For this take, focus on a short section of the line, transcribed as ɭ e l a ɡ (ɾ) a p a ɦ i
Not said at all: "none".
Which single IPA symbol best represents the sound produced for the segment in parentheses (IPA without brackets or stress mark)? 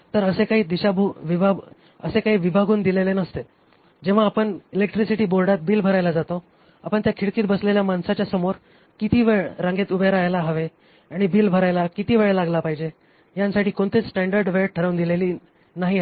l